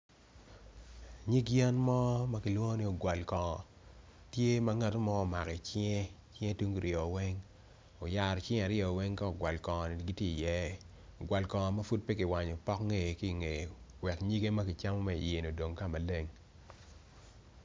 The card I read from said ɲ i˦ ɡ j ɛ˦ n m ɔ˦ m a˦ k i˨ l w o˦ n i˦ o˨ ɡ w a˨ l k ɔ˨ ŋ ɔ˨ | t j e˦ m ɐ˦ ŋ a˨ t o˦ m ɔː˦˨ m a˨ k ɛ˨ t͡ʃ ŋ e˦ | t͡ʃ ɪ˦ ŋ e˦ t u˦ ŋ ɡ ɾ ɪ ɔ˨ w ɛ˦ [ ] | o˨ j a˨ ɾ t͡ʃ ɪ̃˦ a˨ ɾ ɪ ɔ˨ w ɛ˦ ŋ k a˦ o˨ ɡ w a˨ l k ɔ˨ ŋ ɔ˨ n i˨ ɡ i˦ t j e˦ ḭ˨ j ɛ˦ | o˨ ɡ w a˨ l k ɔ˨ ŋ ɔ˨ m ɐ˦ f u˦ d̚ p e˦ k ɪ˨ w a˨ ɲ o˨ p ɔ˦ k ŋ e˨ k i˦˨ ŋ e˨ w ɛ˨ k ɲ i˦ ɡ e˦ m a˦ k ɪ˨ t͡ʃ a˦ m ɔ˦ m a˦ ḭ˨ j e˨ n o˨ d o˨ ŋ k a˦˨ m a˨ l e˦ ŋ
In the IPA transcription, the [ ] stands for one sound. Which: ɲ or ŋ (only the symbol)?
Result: ŋ